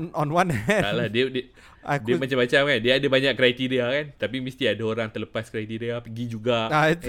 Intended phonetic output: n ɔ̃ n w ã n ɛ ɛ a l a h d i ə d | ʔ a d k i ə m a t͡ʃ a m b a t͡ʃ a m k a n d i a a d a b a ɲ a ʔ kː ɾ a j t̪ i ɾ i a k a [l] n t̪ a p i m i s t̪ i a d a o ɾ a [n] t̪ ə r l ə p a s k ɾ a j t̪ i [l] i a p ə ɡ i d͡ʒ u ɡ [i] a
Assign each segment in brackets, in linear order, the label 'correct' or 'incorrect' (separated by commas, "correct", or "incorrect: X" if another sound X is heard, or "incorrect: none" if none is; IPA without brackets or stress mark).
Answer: incorrect: none, incorrect: ŋ, incorrect: ɾ, incorrect: a